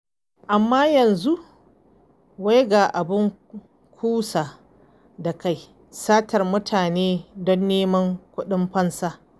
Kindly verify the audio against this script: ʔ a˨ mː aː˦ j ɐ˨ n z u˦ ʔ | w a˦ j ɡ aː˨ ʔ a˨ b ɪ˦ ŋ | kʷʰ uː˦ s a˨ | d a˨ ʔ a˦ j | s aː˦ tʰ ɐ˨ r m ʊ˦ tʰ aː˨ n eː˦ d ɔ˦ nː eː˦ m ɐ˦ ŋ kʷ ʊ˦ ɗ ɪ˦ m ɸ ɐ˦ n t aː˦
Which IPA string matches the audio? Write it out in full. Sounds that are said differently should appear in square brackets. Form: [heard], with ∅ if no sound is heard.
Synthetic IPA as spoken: ʔ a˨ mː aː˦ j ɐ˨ n z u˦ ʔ | w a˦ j ɡ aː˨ ʔ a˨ b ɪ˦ ŋ | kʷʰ uː˦ s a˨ | d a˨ [k] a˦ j | s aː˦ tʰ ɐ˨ r m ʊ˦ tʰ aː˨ n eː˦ d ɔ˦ nː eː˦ m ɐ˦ ŋ kʷ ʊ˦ ɗ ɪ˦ m ɸ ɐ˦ n [s] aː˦